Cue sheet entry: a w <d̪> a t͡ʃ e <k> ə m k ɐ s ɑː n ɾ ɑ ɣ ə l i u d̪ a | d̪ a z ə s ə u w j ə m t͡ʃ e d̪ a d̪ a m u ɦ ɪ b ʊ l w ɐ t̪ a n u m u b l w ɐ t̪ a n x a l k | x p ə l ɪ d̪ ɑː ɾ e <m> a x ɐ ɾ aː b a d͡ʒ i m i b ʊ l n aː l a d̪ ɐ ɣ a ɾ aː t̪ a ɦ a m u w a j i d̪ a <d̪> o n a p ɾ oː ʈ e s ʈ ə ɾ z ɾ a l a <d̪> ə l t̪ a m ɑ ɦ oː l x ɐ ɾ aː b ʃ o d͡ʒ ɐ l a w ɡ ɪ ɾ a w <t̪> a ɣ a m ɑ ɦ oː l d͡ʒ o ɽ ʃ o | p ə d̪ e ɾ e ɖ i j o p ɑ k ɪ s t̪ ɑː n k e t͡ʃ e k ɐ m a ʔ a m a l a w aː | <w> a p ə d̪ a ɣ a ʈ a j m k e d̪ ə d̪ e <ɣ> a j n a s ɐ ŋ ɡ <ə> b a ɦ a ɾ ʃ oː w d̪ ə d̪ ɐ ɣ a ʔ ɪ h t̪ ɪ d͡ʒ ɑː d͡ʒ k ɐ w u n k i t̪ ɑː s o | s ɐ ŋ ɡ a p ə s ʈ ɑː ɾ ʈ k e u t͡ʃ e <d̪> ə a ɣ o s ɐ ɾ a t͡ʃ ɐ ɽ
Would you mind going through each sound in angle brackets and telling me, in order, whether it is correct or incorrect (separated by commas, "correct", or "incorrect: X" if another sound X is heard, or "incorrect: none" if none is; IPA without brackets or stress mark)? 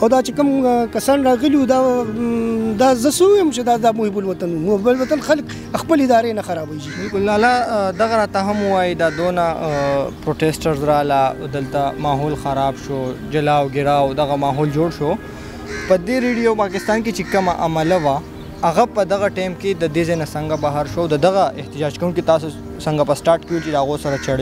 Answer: correct, correct, incorrect: n, correct, correct, incorrect: d̪, incorrect: ɣ, incorrect: z, incorrect: a, correct